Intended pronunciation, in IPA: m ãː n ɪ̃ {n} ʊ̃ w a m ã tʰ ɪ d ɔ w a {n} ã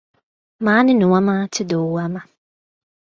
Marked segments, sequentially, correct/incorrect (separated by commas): correct, incorrect